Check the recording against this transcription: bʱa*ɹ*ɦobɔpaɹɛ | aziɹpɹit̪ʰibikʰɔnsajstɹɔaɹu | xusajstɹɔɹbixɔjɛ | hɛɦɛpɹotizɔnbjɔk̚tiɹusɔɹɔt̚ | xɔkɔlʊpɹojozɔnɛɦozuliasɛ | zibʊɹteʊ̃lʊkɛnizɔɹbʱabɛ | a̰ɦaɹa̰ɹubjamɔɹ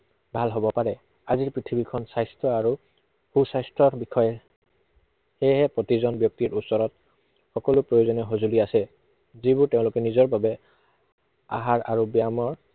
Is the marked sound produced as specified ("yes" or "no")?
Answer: no